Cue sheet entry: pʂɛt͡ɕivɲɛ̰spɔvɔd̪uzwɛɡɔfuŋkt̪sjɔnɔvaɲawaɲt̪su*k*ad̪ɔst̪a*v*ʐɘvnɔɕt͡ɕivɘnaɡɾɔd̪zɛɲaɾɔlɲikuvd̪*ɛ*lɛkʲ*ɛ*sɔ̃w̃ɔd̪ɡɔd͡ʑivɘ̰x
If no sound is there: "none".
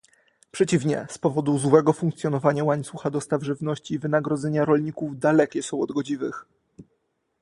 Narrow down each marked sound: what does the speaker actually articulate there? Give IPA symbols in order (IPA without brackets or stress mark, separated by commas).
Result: x, v, a, ɛ